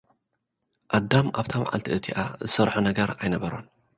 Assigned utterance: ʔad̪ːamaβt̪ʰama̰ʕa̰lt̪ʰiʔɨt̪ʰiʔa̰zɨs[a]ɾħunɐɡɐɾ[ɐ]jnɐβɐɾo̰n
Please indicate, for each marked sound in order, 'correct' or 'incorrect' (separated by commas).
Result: incorrect, incorrect